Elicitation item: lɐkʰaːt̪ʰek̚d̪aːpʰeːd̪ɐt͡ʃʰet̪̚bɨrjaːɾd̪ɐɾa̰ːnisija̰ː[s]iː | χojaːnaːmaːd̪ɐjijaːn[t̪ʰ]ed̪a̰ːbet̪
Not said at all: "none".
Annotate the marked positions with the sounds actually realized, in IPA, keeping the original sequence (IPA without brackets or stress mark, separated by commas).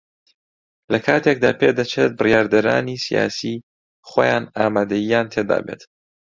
s, t̪ʰ